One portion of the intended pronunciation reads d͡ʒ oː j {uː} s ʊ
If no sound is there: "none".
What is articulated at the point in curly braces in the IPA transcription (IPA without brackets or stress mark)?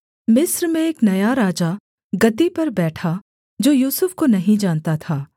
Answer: uː